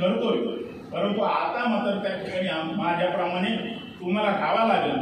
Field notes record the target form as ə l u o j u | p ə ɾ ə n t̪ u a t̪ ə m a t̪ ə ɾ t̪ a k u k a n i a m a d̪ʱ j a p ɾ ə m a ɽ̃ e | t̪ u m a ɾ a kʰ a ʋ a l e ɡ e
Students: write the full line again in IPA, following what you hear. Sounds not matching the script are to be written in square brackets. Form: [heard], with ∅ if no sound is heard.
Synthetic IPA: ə [ɾ] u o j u | p ə ɾ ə n t̪ u a t̪ [a] m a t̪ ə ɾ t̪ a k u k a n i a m a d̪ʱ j a p ɾ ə m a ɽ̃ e | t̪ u m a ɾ a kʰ a ʋ a l [a] ɡ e